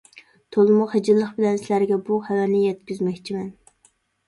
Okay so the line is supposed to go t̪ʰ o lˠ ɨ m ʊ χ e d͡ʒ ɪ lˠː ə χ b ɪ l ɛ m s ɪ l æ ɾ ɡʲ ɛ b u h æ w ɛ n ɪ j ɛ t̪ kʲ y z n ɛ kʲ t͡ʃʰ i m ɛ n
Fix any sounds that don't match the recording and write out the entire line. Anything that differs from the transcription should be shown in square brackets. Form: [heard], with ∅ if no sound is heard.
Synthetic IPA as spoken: t̪ʰ o lˠ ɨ m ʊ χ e d͡ʒ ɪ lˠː ə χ b ɪ l ɛ [n] s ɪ l æ ɾ ɡʲ ɛ b u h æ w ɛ n ɪ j ɛ t̪ kʲ y z [m] ɛ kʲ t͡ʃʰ i m ɛ n